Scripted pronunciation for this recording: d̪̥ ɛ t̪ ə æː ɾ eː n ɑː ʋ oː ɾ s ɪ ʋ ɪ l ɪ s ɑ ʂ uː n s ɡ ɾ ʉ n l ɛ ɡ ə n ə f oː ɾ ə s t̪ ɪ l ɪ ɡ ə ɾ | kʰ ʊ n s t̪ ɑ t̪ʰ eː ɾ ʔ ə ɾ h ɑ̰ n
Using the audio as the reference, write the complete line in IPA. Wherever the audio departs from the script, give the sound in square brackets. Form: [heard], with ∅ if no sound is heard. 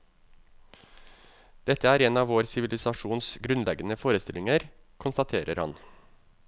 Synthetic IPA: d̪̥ ɛ t̪ ə æː ɾ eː n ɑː ʋ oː ɾ s ɪ ʋ ɪ l ɪ s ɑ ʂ uː n s ɡ ɾ ʉ n l ɛ ɡ ə n ə f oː ɾ ə s t̪ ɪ l ɪ [ŋ] ə ɾ | kʰ ʊ n s t̪ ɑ t̪ʰ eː ɾ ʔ ə ɾ h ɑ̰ n